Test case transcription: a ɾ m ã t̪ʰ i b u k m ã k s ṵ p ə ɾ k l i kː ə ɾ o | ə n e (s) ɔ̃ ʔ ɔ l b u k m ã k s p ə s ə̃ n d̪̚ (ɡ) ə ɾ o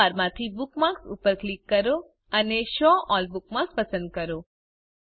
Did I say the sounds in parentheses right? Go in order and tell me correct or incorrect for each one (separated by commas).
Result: incorrect, incorrect